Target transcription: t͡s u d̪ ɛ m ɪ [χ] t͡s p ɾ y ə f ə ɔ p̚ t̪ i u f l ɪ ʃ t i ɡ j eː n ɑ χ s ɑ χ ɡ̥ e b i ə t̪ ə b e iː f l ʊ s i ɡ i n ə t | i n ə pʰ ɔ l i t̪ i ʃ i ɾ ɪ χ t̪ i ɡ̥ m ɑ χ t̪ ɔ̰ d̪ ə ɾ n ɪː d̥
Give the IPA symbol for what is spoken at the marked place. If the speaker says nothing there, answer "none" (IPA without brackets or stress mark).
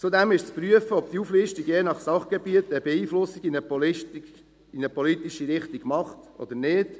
ʃ